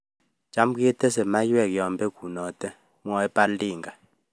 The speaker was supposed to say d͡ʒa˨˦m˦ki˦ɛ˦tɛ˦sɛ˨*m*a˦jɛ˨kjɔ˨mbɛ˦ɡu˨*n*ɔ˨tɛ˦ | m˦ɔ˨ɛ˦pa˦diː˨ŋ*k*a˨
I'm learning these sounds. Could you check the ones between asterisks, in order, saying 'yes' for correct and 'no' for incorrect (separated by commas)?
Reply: yes, yes, no